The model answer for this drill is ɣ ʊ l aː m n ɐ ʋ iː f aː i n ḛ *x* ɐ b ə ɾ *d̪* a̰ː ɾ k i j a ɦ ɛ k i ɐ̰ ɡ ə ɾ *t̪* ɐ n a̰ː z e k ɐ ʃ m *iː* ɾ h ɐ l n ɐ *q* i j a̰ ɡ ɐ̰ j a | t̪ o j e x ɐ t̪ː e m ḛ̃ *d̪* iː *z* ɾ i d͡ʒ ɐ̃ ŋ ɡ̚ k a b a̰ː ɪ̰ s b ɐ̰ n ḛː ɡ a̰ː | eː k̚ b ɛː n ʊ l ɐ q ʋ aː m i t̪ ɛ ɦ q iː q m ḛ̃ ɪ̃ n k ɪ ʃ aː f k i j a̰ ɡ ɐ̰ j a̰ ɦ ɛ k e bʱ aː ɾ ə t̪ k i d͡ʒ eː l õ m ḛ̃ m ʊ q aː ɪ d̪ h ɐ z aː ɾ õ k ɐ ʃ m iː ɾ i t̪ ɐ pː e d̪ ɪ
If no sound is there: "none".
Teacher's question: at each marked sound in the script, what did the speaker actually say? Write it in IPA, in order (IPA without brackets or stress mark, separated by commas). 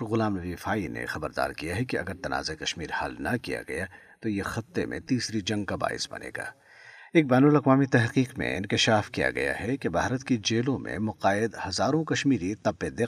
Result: x, d̪, t̪, iː, k, t̪, s